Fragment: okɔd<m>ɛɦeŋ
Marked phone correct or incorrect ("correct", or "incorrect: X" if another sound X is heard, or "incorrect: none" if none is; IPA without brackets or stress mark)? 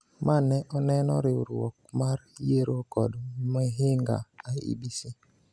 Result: correct